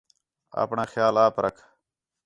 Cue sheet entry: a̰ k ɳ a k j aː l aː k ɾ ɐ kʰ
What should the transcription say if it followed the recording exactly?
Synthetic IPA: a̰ p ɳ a x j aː l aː p ɾ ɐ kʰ